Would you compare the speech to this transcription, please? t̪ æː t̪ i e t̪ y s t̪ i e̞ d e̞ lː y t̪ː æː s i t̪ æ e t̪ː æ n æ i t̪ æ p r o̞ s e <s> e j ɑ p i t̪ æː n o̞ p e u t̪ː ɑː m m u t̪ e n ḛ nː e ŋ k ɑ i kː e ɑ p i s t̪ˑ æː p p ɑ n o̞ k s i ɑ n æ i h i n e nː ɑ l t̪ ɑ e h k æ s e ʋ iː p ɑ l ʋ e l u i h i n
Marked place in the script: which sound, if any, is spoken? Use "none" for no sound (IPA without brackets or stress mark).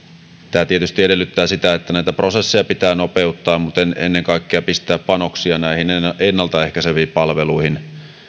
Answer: sː